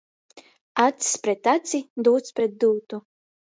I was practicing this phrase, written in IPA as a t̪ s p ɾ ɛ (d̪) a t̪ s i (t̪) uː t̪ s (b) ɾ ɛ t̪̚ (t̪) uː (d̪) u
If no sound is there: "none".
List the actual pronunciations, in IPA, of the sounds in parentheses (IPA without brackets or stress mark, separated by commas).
t̪, d̪, p, d̪, t̪